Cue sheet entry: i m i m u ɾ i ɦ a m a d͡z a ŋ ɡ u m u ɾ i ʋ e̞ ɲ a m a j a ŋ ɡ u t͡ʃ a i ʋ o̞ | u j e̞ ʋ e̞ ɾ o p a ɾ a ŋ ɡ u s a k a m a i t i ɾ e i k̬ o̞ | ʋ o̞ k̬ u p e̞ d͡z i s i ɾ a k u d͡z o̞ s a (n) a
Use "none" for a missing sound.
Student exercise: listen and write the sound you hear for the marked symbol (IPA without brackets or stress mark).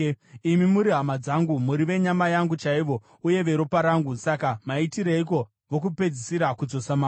m